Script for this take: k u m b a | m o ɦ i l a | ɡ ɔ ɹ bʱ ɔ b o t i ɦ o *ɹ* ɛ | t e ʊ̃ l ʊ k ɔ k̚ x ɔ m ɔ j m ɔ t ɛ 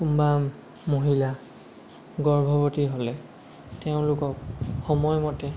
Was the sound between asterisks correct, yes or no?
no